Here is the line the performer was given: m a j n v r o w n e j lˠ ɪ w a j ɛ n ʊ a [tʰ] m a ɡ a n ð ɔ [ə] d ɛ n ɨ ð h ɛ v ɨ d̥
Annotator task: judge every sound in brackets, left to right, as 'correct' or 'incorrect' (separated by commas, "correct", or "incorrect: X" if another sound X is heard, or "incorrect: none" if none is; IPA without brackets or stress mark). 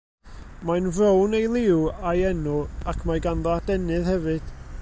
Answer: incorrect: kʰ, incorrect: a